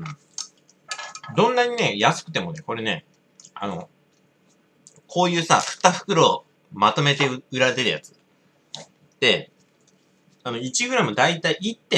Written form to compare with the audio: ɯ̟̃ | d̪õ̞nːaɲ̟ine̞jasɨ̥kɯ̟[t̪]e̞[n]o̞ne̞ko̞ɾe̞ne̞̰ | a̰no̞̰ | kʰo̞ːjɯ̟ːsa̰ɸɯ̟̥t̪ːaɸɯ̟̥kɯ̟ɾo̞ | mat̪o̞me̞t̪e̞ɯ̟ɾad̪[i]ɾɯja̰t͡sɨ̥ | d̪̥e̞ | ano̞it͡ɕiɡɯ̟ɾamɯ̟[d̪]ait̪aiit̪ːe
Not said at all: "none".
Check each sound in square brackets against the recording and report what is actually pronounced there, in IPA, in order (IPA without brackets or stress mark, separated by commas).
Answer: t̪, m, e, d̪